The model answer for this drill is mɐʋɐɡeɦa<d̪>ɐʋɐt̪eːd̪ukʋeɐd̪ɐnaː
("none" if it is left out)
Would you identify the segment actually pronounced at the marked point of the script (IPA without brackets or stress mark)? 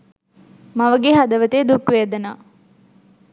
d̪